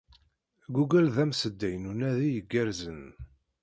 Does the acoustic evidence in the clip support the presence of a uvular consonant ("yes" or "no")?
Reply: no